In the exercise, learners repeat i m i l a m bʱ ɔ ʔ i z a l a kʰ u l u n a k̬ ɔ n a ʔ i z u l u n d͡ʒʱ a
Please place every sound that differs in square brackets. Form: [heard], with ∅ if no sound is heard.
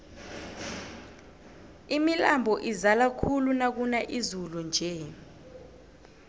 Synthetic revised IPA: i m i l a m bʱ ɔ ʔ i z a l a kʰ u l u n a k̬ [u] n a ʔ i z u l u n d͡ʒʱ [ɛ]